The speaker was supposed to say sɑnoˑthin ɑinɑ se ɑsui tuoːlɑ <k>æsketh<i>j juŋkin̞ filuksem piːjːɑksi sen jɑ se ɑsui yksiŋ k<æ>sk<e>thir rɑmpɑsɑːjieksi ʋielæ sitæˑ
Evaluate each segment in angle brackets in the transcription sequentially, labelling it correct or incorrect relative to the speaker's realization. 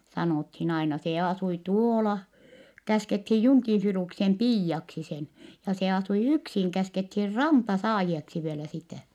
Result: correct, correct, correct, correct

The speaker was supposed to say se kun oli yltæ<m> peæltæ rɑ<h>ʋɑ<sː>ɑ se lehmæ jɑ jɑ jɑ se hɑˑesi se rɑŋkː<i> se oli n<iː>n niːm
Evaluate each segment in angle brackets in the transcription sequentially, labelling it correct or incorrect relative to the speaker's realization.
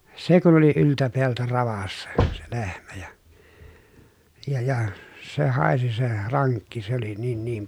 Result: incorrect, incorrect, correct, correct, correct

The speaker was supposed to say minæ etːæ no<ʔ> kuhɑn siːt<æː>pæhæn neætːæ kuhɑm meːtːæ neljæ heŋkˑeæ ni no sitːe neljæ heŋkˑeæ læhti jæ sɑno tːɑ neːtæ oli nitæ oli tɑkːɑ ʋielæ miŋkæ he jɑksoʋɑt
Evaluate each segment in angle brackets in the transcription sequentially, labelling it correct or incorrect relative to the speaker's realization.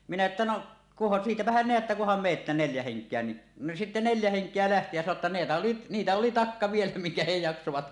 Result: correct, incorrect

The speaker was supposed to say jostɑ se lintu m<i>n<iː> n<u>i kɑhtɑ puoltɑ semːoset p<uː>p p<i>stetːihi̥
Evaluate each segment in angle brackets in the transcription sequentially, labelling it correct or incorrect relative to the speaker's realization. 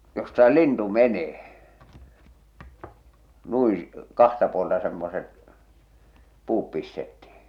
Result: incorrect, incorrect, correct, correct, correct

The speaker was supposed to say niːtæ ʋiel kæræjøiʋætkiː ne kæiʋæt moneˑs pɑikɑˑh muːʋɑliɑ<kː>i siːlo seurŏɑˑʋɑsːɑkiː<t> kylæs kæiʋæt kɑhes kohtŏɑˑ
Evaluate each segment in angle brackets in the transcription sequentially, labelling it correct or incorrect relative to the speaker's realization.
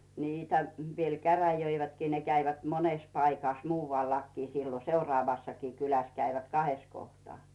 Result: correct, incorrect

